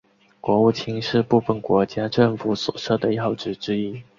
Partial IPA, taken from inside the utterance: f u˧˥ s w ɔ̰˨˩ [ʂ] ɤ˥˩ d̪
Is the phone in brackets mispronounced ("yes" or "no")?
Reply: no